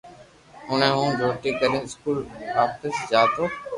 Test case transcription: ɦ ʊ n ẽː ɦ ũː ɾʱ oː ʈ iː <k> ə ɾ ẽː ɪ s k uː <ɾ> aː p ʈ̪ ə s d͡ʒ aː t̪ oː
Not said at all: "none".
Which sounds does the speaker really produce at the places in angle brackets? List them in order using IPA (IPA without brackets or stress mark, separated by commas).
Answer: k, l